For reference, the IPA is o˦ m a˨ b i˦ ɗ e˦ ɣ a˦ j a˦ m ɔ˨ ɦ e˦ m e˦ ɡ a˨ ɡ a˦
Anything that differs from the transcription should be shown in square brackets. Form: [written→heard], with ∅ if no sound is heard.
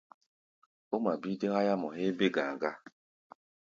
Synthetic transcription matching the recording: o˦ m a˨ b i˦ [ɗ→d] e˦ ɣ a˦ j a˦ m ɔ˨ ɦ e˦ [m→b] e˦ ɡ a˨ ɡ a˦

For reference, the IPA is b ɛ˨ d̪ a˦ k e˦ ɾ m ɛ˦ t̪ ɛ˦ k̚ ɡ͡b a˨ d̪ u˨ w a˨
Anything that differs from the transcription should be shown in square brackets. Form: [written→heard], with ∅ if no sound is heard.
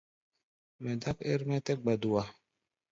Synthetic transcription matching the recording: [b→m] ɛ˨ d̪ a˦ k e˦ ɾ m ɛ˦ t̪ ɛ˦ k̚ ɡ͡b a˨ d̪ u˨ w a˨

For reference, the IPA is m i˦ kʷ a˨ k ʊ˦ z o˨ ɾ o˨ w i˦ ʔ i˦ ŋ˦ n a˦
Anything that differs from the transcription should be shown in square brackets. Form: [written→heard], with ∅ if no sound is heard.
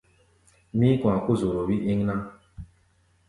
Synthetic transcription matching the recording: m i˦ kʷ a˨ k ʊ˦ z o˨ ɾ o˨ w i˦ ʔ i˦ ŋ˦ n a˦

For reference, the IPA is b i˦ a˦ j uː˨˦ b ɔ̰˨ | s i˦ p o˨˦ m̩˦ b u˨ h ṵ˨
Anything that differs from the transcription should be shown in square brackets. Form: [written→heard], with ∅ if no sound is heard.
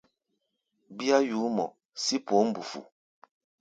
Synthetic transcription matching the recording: b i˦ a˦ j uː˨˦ [b→m] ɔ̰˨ | s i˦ p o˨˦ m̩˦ b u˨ [h→f] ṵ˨

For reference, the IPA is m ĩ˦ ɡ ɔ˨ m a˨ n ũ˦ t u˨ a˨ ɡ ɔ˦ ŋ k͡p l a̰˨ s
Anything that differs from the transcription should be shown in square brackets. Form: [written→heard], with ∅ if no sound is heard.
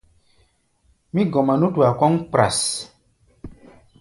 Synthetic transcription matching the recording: m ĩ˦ ɡ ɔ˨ m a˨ n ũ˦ t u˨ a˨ [ɡ→k] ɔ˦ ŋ k͡p [l→ɾ] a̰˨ s

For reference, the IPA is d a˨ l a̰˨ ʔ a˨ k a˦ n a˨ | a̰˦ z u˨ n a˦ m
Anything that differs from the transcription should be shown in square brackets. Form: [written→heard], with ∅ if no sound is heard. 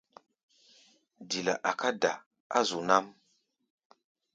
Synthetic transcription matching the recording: d [a˨→i˨] l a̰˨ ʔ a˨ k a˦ [n→d] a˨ | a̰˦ z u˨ n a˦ m

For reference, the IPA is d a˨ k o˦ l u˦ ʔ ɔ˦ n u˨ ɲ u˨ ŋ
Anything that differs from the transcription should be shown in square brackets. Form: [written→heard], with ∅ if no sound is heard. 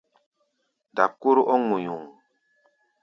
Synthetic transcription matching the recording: d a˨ k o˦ [l→ɾ] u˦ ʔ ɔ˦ [n→ŋ] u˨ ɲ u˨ ŋ

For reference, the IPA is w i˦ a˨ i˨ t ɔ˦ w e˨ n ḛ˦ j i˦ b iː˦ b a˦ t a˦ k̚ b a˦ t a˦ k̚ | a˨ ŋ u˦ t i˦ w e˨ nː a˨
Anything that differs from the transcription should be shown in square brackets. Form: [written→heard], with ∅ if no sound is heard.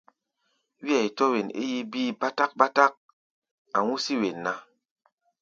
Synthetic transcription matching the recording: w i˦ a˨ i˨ t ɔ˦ w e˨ n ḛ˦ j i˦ b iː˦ b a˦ t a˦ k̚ b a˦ t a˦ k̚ | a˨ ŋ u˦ [t→s] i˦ w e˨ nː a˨

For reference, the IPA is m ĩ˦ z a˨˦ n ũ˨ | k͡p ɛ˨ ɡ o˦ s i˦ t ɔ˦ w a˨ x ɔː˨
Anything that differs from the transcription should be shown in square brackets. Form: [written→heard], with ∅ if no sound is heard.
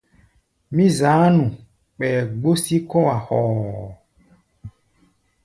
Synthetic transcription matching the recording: m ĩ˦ z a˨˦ n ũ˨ | k͡p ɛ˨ [ɡ→ɡ͡b] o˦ s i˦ [t→k] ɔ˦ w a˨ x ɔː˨

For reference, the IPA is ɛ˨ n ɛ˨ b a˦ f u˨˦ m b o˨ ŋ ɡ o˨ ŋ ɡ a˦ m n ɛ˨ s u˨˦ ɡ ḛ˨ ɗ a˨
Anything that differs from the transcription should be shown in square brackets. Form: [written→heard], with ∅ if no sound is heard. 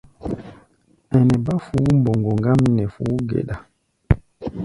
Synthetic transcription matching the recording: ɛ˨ n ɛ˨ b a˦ f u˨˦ m b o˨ ŋ ɡ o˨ ŋ ɡ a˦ m n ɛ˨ [s→f] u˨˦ ɡ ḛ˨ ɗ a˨

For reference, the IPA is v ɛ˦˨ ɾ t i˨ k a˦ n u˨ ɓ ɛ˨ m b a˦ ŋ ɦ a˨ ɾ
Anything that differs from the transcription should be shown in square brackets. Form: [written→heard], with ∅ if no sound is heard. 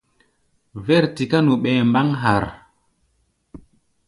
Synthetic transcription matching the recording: v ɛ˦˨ ɾ t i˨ k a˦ n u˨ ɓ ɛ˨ m b a˦ ŋ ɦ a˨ ɾ

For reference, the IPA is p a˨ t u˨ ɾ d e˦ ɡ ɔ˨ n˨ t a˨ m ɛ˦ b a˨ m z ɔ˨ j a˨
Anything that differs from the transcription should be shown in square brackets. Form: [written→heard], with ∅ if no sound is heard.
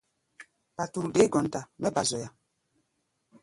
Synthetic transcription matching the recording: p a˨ t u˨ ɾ d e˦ ɡ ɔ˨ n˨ t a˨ m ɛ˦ b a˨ [m→∅] z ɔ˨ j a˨

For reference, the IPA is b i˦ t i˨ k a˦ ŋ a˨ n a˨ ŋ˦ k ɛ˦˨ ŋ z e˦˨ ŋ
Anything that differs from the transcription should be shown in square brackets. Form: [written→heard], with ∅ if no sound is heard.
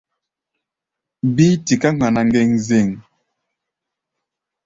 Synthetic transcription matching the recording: b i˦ t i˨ k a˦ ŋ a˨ n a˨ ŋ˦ [k→ɡ] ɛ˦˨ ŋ z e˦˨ ŋ

